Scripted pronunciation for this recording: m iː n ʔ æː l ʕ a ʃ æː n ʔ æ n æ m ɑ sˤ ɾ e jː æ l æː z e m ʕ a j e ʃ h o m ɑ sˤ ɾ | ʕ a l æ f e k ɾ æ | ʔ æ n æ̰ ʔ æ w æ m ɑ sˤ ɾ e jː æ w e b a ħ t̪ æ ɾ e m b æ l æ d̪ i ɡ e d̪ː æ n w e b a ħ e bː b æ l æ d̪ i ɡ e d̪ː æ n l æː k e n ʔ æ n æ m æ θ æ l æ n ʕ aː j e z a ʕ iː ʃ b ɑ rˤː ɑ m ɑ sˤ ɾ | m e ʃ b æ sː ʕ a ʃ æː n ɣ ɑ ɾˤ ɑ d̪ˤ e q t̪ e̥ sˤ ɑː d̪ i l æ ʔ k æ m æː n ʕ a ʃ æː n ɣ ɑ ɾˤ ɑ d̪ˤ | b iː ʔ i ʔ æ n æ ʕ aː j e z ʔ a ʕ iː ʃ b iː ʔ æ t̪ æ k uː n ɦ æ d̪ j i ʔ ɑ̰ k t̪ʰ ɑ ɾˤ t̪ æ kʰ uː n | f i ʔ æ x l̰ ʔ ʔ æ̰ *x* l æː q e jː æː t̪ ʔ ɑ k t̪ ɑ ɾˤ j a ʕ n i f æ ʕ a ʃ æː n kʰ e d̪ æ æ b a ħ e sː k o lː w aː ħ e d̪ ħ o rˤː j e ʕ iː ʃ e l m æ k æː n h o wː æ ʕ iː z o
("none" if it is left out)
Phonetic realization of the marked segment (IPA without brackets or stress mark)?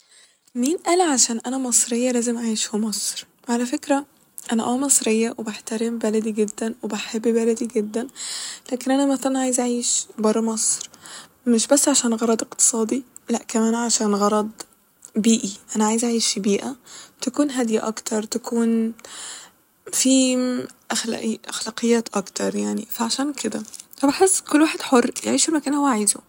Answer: x